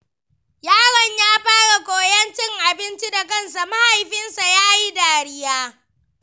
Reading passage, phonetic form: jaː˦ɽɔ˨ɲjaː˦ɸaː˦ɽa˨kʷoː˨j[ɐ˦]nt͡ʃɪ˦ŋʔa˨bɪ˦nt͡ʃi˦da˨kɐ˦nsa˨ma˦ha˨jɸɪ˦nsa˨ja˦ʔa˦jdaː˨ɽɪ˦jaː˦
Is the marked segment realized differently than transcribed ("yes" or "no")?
no